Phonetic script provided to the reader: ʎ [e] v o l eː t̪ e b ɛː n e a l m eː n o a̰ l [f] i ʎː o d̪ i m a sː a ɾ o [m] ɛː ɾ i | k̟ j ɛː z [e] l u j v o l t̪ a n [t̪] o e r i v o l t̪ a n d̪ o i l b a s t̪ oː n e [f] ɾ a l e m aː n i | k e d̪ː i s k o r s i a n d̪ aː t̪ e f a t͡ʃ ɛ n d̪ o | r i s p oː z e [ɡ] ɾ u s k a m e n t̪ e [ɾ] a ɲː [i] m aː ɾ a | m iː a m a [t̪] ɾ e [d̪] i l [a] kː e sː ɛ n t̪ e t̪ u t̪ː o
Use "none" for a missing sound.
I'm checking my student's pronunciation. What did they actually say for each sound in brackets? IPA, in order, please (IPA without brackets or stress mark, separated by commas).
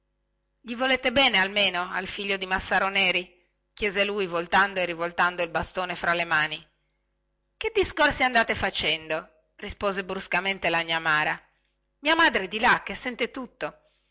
i, f, n, e, d̪, f, b, l, a, d̪, d̪, a